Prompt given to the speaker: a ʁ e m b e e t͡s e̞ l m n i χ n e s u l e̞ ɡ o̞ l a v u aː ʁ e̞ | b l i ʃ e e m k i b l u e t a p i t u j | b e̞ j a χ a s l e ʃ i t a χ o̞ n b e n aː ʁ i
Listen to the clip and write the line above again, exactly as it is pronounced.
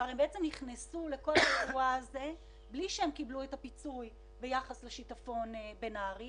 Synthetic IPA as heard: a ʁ e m b e e t͡s e̞ m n i χ n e s u l e̞ k o̞ l a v u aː z e̞ | b l i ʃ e e m k i b l u e t a p i t͡s u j | b e̞ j a χ a s l e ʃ i t a f o̞ n b e n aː ʁ i